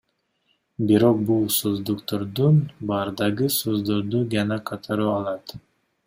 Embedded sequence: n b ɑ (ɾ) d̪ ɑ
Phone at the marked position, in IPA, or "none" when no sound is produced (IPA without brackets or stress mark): ɾ